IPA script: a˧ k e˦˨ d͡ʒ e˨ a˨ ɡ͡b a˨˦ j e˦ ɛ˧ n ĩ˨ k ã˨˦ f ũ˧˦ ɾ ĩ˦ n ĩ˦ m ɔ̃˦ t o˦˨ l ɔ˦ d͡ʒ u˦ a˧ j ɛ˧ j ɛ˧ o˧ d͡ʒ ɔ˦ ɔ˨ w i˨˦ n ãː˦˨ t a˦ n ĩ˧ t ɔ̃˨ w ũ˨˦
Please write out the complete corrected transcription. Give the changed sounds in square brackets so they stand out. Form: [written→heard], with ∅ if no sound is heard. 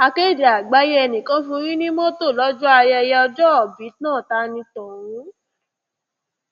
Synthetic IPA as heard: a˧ k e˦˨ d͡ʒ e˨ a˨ ɡ͡b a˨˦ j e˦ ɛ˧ n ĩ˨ k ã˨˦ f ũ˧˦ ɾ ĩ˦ n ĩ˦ m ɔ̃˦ t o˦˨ l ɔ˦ d͡ʒ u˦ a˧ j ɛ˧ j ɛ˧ [o˧→ɔ˧] d͡ʒ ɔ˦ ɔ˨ [w→b] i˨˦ n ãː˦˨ t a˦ n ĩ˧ t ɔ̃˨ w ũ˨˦

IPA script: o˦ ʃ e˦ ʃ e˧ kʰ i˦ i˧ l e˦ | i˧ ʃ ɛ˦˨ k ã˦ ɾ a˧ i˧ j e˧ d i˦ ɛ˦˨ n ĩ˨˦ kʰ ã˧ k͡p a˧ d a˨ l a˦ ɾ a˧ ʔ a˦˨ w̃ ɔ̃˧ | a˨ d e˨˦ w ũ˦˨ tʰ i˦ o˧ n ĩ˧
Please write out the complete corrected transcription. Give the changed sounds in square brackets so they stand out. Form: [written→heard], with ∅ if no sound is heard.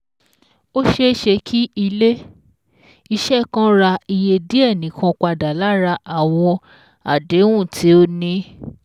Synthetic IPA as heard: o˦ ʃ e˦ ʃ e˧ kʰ i˦ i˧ l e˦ | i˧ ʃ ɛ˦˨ k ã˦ ɾ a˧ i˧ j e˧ d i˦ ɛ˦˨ n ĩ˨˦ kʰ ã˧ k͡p a˧ d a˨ l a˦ ɾ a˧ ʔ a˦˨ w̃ ɔ̃˧ | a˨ d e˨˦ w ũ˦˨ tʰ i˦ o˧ n ĩ˧

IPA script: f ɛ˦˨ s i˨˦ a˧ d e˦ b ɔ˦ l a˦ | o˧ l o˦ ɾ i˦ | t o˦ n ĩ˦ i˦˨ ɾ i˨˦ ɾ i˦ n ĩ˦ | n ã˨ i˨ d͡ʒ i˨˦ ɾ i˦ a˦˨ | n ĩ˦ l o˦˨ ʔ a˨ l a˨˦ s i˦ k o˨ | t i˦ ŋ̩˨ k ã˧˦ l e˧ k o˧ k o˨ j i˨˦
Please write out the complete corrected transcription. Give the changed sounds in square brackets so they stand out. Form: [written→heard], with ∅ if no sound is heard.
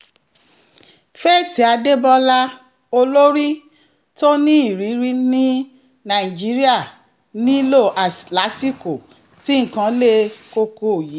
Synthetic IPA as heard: f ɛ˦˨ [s→t] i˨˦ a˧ d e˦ b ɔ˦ l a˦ | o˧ l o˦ ɾ i˦ | t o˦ n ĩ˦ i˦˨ ɾ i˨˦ ɾ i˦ n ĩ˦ | n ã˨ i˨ d͡ʒ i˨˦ ɾ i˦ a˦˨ | n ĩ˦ l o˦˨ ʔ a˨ l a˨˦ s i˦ k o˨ | t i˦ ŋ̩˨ k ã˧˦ l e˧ k o˧ k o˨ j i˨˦

